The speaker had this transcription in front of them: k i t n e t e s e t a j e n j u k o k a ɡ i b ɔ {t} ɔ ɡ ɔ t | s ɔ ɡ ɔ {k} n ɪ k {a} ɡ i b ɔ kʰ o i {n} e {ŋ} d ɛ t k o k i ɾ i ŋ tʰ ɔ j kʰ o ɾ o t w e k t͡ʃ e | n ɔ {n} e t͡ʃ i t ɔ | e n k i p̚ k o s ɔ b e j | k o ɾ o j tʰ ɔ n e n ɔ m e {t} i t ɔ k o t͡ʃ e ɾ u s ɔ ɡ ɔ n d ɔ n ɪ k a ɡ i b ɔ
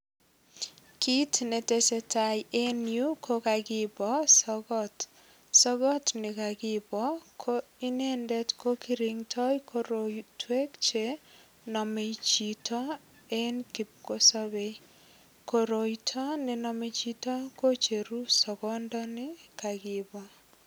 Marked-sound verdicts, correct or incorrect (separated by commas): incorrect, incorrect, correct, correct, incorrect, incorrect, incorrect